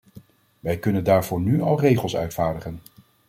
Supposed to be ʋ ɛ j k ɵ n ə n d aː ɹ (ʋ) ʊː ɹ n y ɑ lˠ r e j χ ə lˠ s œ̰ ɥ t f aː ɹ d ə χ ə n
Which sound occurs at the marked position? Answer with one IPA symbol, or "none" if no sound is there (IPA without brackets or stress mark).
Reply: v